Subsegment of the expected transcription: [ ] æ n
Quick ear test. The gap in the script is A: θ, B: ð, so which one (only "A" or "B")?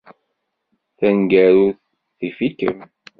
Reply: A